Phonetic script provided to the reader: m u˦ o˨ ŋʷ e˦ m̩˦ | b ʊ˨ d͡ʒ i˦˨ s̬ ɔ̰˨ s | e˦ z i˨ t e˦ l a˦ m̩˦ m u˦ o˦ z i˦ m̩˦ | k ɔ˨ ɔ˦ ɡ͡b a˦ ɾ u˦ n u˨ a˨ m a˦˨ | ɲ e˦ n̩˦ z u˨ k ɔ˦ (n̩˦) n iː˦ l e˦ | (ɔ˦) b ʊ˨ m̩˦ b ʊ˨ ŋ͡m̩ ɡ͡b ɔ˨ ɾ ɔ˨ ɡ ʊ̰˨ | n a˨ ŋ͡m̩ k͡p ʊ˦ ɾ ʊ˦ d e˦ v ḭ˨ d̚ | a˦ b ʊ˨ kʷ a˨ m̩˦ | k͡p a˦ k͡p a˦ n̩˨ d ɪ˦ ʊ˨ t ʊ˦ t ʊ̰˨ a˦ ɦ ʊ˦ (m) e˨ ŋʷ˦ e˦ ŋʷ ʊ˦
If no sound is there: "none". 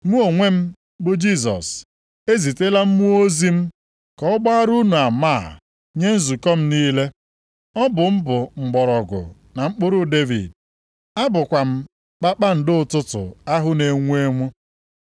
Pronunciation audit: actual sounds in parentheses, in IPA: m̩˦, ɔ˦, n

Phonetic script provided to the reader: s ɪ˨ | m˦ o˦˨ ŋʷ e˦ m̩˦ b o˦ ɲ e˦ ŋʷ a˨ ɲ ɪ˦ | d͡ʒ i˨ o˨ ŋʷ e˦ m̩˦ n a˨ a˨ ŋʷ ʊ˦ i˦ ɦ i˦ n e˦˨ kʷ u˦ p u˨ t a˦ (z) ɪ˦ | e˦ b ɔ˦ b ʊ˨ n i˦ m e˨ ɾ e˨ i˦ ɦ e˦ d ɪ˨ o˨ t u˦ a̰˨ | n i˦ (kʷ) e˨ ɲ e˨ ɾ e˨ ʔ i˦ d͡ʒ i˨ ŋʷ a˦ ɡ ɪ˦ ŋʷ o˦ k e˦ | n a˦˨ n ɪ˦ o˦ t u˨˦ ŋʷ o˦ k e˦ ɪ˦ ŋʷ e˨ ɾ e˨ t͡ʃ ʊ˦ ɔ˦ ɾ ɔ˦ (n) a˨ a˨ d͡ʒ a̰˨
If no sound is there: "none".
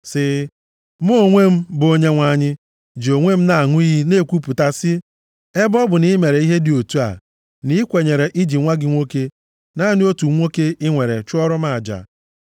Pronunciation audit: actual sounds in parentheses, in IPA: s, kʷ, m

